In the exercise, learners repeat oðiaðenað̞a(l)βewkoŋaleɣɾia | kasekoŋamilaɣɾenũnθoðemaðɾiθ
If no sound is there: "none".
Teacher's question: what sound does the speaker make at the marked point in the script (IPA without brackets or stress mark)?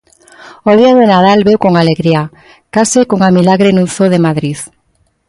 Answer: l